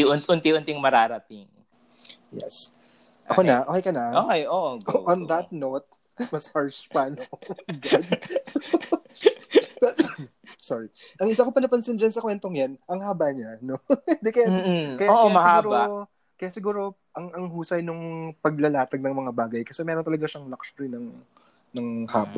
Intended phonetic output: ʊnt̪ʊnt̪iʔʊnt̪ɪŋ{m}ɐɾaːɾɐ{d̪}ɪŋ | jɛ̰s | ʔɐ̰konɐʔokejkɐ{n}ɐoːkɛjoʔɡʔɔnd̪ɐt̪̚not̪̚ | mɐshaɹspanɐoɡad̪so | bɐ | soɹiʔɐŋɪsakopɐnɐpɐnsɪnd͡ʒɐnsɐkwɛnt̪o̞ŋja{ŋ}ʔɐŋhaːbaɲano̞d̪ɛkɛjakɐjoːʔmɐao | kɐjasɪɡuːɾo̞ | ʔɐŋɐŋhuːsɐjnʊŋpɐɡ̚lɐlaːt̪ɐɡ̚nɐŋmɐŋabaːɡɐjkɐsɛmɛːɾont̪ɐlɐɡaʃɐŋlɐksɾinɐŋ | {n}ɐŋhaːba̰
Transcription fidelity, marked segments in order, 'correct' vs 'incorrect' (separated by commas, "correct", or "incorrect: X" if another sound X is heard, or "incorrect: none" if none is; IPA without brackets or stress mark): correct, incorrect: t̪, correct, incorrect: n, correct